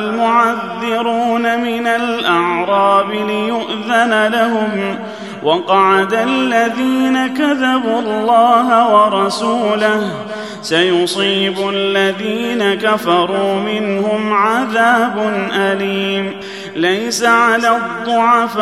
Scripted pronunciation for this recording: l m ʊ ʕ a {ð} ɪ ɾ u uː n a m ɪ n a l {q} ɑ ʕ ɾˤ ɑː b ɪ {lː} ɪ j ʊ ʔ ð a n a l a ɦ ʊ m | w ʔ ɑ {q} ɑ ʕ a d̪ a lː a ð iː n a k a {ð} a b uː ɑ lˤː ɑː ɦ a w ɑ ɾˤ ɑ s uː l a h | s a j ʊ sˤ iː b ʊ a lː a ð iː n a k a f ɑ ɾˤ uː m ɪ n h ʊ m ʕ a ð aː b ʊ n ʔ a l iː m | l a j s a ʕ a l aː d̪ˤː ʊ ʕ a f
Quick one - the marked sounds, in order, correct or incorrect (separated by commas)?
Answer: incorrect, incorrect, incorrect, correct, correct